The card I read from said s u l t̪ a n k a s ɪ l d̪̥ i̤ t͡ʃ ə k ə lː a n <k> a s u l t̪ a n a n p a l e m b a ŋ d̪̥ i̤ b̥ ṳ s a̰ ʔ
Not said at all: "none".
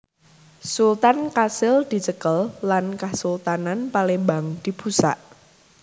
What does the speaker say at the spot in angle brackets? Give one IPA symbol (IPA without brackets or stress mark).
k